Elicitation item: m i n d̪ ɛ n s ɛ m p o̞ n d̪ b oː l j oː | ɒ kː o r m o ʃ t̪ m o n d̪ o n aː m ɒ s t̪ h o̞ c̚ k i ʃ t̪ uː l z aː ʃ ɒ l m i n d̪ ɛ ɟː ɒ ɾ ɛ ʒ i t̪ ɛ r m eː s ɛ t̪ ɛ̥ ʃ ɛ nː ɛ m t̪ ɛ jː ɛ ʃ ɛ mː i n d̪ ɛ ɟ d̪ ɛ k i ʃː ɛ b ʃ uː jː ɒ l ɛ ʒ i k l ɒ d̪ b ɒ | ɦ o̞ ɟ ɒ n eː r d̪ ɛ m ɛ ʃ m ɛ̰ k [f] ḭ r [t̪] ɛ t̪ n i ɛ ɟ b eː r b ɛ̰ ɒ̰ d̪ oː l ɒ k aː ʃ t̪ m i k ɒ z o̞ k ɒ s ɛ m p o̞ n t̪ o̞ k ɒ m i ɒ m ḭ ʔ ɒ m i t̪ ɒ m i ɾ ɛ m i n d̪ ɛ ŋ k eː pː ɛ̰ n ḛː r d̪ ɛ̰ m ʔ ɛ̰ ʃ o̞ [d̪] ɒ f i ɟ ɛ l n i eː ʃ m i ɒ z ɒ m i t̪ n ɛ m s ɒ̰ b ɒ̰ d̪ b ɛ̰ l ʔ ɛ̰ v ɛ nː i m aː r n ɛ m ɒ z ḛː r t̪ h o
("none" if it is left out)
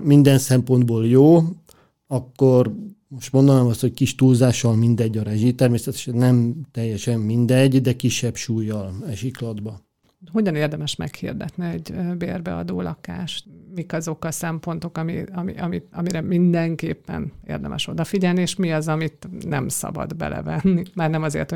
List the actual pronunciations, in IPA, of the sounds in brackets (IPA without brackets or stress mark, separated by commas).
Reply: h, d̪, d̪